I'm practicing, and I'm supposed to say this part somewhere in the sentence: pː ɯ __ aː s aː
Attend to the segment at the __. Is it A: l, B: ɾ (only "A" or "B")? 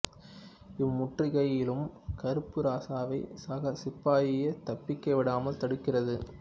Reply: B